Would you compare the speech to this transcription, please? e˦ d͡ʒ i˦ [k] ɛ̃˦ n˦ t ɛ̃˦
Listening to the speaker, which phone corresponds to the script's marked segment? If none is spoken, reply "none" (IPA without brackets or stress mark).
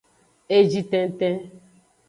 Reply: t